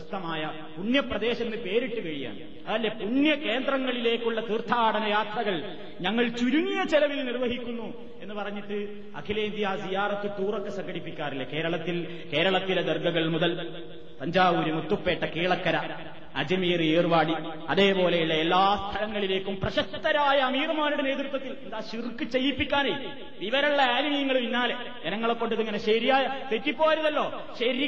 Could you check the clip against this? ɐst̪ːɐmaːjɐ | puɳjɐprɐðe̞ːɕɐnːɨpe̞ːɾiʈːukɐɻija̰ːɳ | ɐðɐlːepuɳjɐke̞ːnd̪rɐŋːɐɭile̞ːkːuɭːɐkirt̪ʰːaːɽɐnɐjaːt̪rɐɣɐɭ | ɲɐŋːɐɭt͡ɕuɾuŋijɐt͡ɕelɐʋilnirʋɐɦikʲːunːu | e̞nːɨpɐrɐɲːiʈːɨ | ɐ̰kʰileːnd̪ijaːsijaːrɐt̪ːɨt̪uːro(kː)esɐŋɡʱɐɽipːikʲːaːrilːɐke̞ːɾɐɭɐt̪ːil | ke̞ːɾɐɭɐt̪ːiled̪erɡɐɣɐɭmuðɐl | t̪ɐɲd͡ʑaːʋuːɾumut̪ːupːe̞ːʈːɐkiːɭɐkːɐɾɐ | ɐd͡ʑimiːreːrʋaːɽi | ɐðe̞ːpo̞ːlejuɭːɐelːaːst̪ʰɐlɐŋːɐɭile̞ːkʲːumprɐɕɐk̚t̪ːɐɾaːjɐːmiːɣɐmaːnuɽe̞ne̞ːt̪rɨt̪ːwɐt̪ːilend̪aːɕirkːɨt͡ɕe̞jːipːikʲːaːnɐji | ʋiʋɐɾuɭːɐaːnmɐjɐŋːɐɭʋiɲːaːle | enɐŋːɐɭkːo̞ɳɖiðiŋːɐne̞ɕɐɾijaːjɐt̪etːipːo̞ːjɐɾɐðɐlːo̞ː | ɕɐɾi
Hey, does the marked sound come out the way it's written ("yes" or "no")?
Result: yes